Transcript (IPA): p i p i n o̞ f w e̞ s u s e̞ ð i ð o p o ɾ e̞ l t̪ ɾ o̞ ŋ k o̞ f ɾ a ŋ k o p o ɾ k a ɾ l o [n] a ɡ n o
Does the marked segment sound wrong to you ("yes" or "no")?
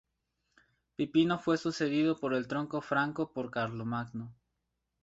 yes